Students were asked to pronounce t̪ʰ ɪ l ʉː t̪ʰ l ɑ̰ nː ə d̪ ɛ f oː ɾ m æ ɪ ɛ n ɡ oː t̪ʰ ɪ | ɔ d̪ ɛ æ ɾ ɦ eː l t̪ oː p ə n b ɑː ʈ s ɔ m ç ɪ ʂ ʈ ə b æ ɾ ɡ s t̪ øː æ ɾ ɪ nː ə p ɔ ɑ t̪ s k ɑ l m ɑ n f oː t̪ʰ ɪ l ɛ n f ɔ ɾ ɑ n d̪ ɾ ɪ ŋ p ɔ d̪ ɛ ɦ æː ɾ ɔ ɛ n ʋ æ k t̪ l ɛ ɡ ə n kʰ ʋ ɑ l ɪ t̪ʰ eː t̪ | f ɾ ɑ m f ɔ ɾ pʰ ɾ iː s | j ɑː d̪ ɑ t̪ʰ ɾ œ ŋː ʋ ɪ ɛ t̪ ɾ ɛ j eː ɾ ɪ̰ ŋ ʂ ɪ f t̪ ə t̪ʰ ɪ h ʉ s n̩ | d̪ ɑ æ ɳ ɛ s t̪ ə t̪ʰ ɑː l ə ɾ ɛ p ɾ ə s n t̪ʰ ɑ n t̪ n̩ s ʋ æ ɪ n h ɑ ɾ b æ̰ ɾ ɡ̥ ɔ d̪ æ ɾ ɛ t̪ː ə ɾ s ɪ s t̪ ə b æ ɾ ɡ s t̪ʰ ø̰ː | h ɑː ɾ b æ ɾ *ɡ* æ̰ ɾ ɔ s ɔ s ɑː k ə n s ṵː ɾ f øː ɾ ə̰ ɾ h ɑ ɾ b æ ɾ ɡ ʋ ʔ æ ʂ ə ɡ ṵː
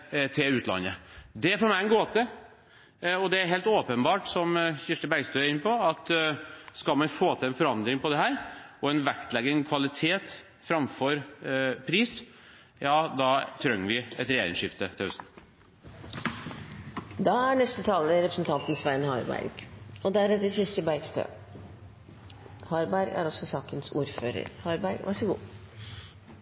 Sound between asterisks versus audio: correct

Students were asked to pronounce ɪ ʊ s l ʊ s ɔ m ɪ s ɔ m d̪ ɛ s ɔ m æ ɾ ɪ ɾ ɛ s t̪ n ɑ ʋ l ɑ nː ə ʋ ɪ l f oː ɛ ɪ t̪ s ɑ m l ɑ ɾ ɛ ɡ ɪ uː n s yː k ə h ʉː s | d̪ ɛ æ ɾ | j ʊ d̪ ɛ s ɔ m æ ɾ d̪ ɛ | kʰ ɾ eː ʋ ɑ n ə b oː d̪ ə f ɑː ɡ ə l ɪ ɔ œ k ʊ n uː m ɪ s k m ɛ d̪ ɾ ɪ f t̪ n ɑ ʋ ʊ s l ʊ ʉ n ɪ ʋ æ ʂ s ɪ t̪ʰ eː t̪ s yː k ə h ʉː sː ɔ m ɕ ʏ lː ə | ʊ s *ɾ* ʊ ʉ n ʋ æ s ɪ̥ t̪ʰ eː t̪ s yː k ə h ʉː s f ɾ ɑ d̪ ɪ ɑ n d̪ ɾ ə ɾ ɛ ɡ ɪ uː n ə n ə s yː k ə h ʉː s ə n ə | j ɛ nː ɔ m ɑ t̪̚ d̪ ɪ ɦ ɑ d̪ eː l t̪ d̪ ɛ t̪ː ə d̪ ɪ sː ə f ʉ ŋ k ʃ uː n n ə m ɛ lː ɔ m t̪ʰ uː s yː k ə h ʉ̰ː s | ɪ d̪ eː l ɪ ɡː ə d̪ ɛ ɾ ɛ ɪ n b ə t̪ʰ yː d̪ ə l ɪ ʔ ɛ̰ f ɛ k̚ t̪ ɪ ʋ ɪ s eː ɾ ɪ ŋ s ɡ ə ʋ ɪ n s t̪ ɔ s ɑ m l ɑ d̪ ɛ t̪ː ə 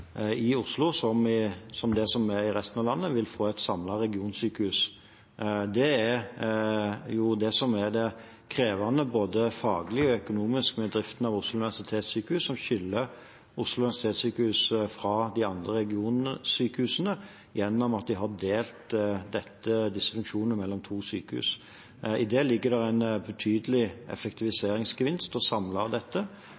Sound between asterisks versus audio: incorrect: l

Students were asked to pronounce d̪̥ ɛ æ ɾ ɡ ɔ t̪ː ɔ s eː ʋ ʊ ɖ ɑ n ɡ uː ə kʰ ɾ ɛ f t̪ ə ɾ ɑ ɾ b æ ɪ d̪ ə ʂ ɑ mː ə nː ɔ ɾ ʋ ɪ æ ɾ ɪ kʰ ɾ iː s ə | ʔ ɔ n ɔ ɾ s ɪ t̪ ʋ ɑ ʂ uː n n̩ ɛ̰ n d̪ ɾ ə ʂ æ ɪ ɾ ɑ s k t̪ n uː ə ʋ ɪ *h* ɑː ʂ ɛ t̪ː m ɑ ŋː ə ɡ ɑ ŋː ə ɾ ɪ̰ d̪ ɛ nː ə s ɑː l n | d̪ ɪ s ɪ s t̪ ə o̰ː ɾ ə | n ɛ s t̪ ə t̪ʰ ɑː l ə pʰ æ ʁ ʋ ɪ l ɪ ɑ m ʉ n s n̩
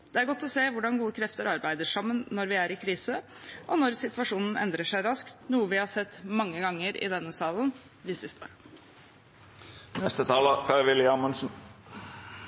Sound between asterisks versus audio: correct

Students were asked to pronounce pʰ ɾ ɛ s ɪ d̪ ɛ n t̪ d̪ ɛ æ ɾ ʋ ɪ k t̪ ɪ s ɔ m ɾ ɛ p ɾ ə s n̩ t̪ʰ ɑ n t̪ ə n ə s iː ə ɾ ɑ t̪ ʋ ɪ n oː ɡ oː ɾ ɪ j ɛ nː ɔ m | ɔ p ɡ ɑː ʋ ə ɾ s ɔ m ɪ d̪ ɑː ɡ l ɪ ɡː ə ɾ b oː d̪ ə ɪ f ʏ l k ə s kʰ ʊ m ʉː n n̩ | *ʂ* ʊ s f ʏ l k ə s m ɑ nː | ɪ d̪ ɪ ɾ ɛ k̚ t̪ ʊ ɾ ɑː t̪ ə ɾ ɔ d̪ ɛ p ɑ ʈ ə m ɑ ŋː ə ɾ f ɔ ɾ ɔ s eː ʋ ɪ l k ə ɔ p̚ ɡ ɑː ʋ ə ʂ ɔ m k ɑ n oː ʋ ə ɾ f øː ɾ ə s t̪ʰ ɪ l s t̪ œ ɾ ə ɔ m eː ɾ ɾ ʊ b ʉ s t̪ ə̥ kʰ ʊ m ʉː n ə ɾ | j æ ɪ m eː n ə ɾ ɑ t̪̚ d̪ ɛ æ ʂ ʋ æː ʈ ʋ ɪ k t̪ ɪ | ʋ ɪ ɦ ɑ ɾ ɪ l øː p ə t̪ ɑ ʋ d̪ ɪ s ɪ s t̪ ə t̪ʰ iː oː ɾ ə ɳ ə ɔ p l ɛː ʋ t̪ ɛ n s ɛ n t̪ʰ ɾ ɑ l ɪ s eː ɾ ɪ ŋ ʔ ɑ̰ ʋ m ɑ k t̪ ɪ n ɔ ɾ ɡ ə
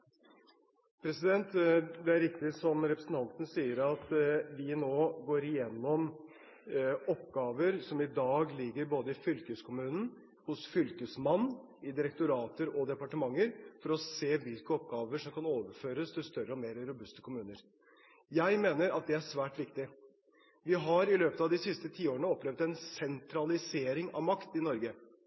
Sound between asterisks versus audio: incorrect: h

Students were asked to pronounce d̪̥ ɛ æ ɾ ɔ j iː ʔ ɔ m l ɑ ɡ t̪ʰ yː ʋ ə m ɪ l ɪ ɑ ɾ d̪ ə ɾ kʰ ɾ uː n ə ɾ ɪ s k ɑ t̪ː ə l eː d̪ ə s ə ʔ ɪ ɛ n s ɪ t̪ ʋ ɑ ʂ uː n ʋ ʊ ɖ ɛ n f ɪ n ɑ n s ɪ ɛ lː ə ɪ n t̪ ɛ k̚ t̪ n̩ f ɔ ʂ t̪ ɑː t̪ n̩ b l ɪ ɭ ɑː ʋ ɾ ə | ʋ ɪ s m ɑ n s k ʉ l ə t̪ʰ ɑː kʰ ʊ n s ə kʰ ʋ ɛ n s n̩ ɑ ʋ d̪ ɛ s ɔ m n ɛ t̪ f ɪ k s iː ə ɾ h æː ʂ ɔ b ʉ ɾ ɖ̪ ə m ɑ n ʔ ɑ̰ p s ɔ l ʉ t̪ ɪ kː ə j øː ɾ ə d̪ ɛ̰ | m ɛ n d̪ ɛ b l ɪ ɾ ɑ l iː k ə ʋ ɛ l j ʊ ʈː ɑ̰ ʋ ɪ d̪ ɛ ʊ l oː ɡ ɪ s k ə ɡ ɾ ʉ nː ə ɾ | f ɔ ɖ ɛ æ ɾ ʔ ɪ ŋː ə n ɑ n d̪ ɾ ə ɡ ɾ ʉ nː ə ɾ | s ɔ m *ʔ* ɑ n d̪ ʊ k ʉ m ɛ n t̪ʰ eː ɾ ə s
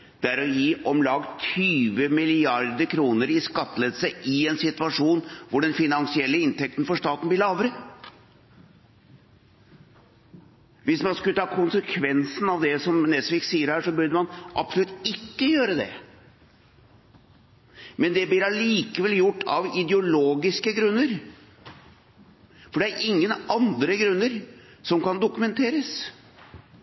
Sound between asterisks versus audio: incorrect: k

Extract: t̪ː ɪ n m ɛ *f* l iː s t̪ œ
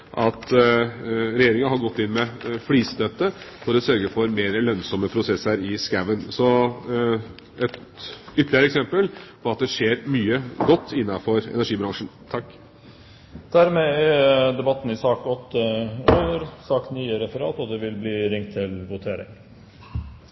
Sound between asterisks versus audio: correct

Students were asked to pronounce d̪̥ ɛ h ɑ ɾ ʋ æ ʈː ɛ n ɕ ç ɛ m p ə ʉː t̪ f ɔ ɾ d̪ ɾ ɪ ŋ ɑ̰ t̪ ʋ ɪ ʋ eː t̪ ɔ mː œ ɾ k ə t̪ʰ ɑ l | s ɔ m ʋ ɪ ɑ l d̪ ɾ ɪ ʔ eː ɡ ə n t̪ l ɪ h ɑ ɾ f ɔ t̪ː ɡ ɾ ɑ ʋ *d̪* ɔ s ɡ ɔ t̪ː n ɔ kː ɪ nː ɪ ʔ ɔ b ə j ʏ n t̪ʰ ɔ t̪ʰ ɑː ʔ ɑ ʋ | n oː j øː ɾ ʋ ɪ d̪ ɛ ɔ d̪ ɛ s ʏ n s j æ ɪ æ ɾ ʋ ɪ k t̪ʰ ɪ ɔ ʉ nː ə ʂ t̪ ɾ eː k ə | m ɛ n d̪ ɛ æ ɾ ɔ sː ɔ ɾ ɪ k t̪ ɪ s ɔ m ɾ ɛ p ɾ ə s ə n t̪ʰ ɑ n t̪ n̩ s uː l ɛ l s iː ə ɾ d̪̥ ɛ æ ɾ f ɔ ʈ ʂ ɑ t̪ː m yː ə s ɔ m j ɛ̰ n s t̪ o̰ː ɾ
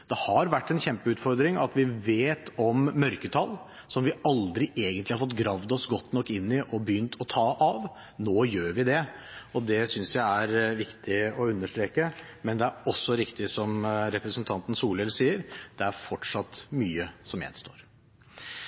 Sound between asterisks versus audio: correct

